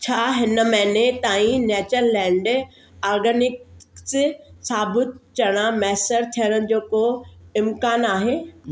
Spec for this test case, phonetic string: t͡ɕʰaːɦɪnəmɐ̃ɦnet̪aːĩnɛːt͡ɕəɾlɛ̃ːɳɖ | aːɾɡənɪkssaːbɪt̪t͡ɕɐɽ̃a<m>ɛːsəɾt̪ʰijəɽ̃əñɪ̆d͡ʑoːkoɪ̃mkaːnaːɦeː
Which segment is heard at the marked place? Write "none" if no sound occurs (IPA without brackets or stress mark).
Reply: m